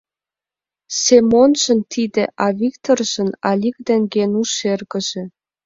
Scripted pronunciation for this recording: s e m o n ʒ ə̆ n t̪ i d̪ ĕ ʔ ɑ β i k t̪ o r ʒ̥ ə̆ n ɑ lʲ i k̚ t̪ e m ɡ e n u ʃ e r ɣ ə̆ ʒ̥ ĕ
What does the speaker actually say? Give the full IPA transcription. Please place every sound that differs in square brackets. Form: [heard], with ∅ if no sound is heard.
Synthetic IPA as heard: s e m o n ʒ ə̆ n t̪ i d̪ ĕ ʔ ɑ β i k t̪ o r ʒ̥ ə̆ n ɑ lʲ i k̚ [d̪] e [ŋ] ɡ e n u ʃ e r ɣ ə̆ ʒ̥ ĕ